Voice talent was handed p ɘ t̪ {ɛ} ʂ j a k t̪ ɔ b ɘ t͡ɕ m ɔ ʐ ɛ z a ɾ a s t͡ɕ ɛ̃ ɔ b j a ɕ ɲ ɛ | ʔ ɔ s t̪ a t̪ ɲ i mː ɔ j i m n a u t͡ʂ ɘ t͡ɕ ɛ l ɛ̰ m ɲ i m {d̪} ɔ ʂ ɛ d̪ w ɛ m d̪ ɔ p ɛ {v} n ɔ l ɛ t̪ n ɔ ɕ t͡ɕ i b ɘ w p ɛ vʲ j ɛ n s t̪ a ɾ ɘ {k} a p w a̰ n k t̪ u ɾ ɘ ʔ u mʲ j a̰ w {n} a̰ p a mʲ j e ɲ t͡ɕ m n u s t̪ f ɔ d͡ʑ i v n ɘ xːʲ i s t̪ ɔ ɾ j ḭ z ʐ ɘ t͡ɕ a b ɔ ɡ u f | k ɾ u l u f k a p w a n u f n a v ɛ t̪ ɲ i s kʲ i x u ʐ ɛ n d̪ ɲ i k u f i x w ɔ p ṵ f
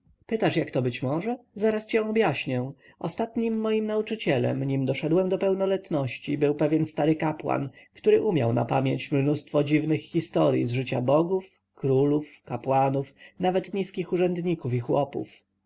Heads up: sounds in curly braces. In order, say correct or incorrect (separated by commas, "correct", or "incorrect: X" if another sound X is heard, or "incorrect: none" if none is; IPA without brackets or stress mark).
incorrect: a, correct, incorrect: w, correct, correct